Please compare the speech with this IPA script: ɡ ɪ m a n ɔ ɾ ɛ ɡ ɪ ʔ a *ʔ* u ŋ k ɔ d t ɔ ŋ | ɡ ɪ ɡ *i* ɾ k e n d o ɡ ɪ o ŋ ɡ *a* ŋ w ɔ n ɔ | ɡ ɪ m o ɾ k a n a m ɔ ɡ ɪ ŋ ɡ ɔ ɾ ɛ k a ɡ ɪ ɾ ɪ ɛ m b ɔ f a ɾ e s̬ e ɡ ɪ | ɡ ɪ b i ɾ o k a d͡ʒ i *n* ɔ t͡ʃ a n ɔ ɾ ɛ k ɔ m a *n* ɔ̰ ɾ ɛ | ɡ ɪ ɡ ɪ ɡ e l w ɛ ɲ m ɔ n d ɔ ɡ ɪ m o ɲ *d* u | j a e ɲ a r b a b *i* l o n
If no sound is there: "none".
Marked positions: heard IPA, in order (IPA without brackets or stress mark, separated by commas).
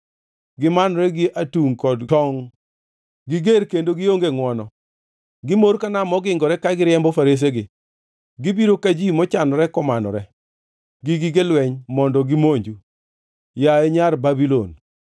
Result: t, e, e, m, n, d͡ʒ, i